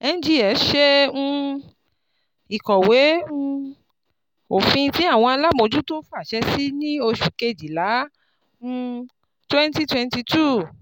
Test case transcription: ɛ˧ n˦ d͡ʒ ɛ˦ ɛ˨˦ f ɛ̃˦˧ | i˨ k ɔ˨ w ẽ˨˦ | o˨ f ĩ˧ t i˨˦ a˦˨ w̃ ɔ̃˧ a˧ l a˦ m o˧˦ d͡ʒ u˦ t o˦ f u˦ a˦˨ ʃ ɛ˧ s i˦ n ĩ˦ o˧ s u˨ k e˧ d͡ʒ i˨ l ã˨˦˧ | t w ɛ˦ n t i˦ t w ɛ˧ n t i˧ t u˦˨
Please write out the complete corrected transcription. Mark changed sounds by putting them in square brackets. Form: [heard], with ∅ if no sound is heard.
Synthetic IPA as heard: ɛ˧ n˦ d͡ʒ [i˦] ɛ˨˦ [ʃ] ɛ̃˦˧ | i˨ k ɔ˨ w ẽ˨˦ | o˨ f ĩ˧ t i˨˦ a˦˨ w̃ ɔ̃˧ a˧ l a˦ m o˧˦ d͡ʒ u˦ t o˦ f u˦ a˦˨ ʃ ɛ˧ s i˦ n ĩ˦ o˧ [ʃ] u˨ k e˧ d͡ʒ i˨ l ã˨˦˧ | t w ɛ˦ n t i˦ t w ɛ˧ n t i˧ t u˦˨